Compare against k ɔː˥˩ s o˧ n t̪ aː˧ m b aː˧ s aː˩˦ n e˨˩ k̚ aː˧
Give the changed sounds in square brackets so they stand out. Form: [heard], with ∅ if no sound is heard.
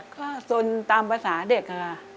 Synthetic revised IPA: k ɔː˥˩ s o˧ n t̪ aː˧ m [p] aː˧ s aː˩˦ [d] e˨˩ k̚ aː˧